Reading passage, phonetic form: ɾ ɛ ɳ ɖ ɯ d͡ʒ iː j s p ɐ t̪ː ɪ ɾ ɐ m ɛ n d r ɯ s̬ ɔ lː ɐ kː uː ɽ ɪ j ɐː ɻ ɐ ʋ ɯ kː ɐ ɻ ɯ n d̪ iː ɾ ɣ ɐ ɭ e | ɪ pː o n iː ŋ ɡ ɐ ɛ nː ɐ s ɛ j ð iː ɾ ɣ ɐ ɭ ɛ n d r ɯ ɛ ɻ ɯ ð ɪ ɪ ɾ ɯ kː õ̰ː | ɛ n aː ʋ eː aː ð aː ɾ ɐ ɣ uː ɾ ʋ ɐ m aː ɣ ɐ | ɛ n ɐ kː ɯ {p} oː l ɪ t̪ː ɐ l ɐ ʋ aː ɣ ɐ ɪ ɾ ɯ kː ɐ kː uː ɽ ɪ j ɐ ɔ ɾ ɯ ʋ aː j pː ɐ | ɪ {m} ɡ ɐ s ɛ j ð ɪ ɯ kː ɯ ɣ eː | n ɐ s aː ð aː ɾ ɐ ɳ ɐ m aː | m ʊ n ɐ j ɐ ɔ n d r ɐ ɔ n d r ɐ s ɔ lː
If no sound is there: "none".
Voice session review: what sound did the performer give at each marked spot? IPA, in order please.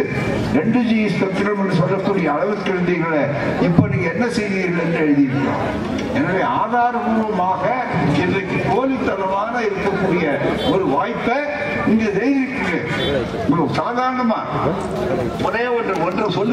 k, ŋ

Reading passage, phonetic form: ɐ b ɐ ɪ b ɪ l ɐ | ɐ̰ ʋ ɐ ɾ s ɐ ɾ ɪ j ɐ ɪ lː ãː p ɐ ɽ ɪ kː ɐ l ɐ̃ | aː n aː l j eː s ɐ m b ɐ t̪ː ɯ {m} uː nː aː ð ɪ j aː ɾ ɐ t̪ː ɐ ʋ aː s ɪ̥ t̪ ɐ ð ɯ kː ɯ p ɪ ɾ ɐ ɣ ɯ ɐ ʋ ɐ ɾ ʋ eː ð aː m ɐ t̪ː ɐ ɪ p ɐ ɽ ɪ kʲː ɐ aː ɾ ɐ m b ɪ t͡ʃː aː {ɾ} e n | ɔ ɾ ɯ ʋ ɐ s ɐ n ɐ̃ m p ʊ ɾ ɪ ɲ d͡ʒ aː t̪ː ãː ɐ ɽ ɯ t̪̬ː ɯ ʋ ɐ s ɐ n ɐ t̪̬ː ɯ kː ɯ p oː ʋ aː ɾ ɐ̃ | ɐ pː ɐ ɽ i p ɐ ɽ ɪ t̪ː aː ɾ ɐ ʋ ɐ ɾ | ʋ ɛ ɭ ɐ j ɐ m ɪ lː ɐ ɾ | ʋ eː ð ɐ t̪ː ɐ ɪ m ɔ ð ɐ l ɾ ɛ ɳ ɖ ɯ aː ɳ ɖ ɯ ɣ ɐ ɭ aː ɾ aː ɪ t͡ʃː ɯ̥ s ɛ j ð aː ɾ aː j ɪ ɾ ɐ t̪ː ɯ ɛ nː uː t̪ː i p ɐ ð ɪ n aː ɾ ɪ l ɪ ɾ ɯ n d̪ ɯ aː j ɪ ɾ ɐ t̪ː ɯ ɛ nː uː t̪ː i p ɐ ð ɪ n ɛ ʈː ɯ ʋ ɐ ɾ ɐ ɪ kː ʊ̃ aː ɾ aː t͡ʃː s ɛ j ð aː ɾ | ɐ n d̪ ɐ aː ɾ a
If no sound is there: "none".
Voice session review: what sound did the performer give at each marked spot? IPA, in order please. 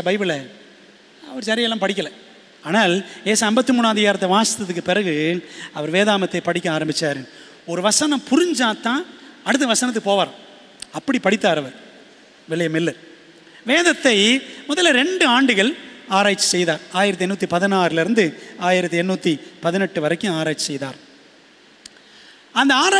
m, ɾ

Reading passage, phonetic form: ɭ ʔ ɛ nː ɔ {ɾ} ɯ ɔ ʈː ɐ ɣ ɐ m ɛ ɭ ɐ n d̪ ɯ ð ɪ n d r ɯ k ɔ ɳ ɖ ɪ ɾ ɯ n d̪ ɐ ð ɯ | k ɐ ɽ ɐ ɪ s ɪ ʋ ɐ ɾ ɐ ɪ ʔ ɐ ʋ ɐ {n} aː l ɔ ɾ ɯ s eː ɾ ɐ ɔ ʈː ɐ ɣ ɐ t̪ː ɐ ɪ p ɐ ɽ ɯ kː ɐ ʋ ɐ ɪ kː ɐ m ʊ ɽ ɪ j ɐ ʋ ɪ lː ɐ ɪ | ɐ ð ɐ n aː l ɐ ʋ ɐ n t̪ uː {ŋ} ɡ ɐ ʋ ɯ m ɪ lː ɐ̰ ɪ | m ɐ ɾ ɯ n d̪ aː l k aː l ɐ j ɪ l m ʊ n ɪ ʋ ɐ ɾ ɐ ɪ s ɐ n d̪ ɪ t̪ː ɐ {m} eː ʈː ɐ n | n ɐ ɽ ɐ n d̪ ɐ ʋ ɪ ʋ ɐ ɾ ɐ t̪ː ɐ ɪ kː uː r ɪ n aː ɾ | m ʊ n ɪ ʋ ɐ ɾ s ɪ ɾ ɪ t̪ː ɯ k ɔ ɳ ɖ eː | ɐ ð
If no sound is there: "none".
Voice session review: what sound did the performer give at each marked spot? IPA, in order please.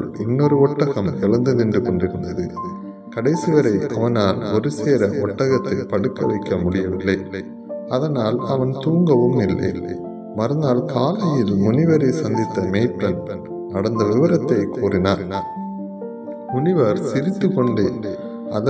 ɾ, n, ŋ, m

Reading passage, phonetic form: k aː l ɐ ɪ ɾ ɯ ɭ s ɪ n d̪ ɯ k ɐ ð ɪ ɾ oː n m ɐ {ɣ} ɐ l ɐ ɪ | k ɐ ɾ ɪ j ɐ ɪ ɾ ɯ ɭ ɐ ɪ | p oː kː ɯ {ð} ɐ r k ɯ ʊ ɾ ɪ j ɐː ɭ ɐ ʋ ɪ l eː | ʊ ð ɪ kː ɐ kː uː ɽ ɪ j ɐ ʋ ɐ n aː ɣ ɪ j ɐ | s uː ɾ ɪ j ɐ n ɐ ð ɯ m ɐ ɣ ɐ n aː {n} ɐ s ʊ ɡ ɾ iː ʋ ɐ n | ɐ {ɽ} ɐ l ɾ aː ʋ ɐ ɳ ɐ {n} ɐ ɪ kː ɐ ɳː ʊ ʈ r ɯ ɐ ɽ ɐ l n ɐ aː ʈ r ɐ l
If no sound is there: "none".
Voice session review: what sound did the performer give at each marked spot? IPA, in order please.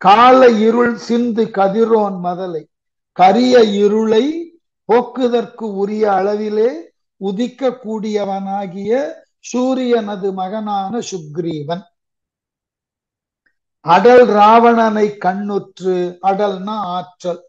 ð, ð, n, ɽ, n

